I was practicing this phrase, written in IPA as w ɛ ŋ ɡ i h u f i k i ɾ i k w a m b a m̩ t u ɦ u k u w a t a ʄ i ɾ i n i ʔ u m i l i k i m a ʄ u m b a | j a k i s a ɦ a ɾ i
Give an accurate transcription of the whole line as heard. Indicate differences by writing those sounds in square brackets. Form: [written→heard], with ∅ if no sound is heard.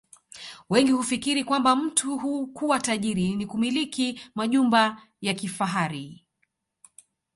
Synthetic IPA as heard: w ɛ ŋ ɡ i h u f i k i ɾ i k w a m b a m̩ t u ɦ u k u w a t a ʄ i ɾ i n i [ʔ→k] u m i l i k i m a ʄ u m b a | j a k i [s→f] a ɦ a ɾ i